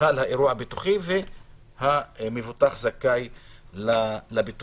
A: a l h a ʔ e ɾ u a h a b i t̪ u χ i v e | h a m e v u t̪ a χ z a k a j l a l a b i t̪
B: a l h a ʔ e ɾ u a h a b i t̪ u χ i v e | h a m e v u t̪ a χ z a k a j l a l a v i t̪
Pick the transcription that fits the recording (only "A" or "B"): A